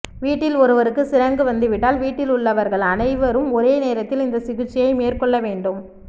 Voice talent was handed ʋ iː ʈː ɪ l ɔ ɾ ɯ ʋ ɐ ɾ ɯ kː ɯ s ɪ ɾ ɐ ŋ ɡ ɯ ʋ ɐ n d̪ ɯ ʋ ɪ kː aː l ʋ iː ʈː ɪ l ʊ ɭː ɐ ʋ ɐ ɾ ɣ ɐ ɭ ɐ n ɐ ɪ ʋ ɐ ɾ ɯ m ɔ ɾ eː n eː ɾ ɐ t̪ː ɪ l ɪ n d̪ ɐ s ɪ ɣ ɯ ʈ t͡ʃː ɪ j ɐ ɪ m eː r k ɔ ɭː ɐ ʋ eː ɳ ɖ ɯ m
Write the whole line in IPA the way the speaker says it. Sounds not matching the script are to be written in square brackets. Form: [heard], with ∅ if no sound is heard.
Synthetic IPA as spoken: ʋ iː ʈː ɪ l ɔ ɾ ɯ ʋ ɐ ɾ ɯ kː ɯ s ɪ ɾ ɐ ŋ ɡ ɯ ʋ ɐ n d̪ ɯ ʋ ɪ [ʈː] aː l ʋ iː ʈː ɪ l ʊ ɭː ɐ ʋ ɐ ɾ ɣ ɐ ɭ ɐ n ɐ ɪ ʋ ɐ ɾ ɯ m ɔ ɾ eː n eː ɾ ɐ t̪ː ɪ l ɪ n d̪ ɐ s ɪ ɣ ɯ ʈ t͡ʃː ɪ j ɐ ɪ m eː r k ɔ ɭː ɐ ʋ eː ɳ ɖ ɯ m